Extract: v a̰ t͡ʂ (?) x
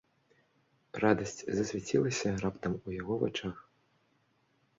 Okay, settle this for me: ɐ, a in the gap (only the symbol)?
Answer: a